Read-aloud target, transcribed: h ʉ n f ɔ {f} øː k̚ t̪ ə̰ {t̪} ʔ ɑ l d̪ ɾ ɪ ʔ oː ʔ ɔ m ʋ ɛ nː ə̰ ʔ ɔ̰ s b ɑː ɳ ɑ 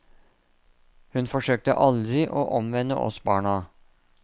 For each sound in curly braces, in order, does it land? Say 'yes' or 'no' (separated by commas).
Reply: no, no